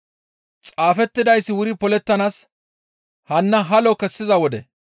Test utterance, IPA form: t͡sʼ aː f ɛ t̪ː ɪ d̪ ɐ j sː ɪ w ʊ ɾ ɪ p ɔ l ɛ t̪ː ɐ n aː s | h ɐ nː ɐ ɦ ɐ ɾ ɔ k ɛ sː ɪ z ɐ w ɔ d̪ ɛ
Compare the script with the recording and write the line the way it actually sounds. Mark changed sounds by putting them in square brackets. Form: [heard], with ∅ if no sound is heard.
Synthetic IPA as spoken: t͡sʼ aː f ɛ t̪ː ɪ d̪ ɐ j sː ɪ w ʊ ɾ ɪ p ɔ l ɛ t̪ː ɐ n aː s | h ɐ nː ɐ ɦ ɐ [l] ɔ k ɛ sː ɪ z ɐ w ɔ d̪ ɛ